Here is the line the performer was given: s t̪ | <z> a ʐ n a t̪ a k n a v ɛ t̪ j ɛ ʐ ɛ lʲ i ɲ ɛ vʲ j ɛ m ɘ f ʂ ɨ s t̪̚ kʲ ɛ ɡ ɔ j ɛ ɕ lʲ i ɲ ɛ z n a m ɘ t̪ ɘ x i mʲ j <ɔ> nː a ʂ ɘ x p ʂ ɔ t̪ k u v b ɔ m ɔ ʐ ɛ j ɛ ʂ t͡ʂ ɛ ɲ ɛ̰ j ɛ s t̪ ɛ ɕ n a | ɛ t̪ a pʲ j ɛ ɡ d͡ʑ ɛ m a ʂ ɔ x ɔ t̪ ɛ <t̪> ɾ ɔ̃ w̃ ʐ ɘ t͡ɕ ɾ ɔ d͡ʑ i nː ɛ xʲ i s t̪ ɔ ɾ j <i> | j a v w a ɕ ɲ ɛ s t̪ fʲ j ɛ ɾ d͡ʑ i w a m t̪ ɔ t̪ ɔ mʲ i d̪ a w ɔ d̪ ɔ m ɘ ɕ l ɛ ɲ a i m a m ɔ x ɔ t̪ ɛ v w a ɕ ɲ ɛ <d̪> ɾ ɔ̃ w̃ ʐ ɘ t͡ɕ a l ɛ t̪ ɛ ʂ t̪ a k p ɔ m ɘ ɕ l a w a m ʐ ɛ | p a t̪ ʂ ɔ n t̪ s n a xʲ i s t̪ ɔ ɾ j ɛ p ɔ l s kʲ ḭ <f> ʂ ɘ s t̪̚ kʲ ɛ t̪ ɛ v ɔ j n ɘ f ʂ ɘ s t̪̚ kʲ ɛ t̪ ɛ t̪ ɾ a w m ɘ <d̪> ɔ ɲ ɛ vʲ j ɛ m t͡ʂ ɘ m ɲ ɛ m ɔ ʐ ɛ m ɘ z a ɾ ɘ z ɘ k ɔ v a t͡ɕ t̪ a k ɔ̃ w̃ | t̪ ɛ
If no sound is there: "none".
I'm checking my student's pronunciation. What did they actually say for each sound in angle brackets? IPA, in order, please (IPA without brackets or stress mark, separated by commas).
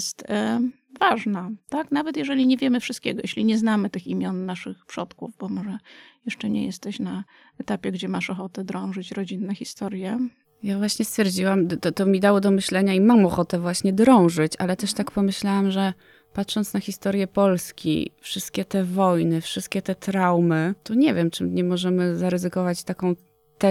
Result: v, ɔ, d̪, ɛ, d̪, f, t̪